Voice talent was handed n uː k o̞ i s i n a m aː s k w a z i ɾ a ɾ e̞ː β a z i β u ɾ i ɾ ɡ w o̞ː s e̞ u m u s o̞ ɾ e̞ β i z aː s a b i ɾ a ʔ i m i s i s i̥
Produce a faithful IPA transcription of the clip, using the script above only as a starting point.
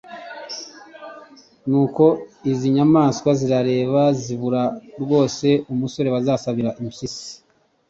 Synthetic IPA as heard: n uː k o̞ i z i ɲ a m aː s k w a z i ɾ a ɾ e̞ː β a z i β u ɾ a ɾ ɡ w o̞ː s e̞ u m u s o̞ ɾ e̞ β a z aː s a β i ɾ a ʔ i m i s i s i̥